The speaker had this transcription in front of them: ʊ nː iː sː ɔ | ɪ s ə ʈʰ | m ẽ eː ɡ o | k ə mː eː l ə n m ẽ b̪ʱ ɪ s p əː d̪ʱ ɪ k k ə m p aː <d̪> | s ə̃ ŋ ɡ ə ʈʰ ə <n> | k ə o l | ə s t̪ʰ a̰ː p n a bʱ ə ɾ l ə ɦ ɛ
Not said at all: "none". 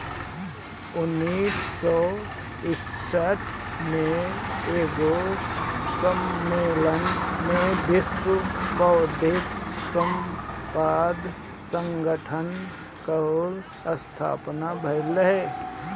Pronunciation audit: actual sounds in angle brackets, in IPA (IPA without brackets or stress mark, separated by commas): d̪, n